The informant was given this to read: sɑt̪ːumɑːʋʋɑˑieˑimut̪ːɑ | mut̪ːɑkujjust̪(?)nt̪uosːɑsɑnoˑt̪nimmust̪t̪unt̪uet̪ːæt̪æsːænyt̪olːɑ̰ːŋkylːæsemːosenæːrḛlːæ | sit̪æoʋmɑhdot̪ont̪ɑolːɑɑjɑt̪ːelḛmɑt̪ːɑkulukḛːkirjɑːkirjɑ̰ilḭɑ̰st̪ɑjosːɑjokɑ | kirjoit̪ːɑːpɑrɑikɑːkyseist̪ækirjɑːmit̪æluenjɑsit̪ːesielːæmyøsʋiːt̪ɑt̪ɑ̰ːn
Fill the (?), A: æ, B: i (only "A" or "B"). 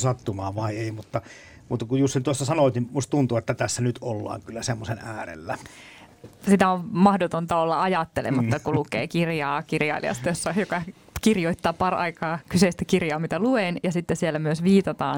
B